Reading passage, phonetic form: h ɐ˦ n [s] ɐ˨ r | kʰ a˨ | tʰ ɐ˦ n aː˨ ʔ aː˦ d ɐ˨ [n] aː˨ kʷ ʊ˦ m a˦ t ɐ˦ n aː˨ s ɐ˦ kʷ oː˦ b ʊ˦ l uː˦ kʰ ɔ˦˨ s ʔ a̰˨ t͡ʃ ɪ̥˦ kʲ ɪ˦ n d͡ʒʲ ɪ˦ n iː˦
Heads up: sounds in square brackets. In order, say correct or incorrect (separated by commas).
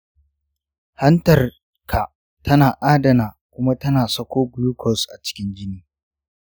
incorrect, correct